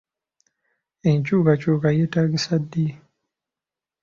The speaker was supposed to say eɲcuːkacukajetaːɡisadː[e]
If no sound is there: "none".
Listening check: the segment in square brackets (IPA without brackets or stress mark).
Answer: i